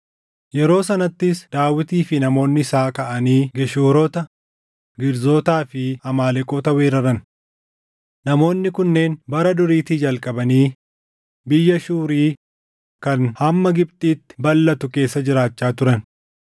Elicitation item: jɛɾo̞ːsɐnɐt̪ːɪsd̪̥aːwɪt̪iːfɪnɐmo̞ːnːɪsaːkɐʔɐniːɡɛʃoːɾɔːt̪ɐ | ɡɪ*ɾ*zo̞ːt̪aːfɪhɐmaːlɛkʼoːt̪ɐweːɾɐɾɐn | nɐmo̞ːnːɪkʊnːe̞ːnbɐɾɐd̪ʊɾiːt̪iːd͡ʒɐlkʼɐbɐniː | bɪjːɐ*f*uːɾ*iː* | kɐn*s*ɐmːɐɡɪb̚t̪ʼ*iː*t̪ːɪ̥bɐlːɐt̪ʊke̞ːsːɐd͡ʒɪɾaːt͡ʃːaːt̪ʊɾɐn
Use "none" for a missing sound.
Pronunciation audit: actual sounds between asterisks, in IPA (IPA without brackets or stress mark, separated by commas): ɾ, ʃ, iː, h, iː